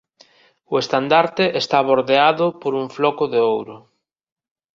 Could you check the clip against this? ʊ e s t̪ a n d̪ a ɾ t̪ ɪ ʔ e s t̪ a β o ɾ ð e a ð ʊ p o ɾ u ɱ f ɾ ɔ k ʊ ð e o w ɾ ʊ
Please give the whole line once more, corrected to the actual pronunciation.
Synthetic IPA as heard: ʊ e s t̪ a n d̪ a ɾ t̪ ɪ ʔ e s t̪ a β o ɾ ð e a ð ʊ p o ɾ u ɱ f l ɔ k ʊ ð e o w ɾ ʊ